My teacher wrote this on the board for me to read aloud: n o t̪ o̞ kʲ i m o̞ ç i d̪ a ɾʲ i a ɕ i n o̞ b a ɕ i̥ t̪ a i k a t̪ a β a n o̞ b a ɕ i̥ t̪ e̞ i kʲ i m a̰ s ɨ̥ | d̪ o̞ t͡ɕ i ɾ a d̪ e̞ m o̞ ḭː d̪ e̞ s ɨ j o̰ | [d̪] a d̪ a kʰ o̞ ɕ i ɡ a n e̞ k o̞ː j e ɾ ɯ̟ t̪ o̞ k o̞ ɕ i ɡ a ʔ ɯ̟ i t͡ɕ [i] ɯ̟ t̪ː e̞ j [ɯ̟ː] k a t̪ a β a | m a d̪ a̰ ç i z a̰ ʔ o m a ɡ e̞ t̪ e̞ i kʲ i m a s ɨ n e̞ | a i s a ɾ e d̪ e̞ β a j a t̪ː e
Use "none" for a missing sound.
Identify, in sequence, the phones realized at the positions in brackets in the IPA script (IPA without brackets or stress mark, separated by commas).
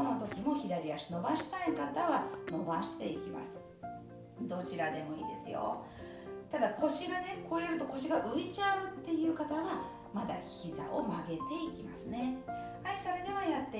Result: t̪, a, ɯ̟ː